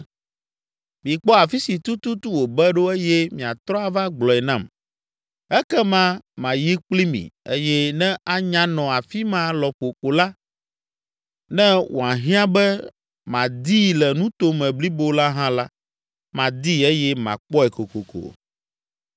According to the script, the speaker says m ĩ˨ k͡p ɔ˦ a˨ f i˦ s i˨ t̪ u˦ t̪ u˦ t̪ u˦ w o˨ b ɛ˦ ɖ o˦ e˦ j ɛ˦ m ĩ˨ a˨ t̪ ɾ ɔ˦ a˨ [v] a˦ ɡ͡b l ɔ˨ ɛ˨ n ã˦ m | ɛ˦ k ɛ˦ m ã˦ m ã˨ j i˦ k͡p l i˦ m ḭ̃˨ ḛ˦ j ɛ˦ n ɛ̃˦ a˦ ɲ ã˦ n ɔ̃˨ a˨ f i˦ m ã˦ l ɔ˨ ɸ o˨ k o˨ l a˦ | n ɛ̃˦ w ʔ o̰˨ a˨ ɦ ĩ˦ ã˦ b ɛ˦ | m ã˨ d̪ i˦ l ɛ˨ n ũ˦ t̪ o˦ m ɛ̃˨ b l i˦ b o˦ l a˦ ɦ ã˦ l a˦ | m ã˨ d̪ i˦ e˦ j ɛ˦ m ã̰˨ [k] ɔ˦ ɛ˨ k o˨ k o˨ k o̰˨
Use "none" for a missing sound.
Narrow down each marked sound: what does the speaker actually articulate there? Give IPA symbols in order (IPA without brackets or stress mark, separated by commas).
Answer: v, k͡p